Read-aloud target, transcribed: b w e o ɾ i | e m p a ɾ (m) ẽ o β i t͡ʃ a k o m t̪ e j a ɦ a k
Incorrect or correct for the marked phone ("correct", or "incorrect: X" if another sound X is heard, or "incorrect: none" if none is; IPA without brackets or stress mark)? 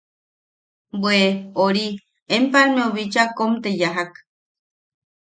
correct